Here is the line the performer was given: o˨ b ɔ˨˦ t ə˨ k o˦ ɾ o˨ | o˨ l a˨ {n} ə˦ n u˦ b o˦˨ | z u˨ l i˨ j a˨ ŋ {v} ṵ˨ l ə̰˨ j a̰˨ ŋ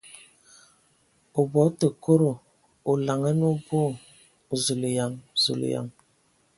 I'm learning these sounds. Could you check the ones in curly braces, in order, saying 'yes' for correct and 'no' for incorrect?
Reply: no, no

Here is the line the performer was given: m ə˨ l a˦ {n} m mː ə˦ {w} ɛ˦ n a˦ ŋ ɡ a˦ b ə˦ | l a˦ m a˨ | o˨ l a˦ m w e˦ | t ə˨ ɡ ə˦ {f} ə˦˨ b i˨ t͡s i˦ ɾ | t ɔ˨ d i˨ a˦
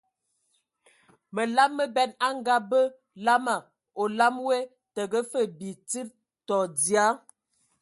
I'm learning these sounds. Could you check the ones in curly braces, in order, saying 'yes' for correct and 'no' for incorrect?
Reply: no, no, yes

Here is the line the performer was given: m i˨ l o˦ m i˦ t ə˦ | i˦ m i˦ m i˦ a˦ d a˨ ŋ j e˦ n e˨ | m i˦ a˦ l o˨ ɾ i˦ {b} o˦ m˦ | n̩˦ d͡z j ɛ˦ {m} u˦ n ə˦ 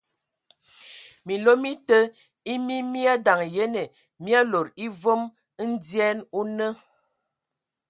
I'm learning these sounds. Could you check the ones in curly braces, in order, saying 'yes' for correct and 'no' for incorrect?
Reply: no, no

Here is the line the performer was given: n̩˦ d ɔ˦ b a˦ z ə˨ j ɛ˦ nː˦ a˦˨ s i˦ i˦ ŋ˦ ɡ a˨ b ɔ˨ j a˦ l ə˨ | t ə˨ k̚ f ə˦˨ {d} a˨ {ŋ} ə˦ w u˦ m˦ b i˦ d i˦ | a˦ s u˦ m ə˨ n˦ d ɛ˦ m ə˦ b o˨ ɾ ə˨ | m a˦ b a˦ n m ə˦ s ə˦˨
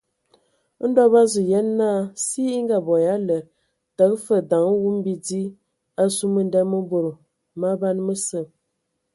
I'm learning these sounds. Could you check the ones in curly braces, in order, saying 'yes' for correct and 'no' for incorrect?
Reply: yes, yes

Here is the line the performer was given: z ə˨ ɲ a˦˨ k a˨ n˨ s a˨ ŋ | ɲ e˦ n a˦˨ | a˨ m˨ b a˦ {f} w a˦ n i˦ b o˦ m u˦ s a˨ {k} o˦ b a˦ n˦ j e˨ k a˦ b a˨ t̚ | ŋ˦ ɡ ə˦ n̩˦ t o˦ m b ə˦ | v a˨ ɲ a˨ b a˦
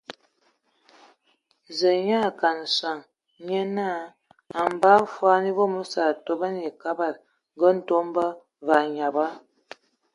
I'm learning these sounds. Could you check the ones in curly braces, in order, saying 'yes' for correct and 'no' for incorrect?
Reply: yes, no

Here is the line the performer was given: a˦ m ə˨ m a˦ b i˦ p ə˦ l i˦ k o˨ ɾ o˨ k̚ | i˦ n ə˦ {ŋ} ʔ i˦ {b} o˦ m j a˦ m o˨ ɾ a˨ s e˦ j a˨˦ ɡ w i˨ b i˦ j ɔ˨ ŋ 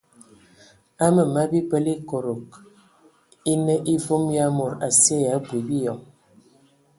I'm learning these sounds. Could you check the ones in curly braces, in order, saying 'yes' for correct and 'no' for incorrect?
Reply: no, no

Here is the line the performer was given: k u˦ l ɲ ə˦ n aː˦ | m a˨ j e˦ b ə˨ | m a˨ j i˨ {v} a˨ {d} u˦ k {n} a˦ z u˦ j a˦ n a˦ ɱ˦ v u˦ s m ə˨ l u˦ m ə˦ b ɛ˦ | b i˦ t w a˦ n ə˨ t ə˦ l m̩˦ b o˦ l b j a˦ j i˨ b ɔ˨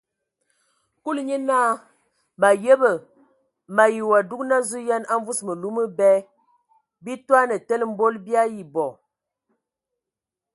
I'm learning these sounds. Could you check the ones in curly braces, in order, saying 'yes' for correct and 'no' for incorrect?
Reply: no, yes, yes

